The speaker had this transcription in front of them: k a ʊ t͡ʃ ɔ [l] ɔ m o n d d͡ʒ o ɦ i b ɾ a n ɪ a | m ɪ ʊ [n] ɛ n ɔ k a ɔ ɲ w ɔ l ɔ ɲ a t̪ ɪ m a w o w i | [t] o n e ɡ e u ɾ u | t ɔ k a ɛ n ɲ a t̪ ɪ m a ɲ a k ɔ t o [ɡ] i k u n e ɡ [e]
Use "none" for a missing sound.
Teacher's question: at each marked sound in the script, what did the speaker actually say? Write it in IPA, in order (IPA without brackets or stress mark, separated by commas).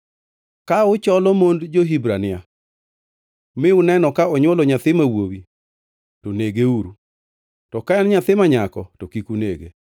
l, n, t, k, e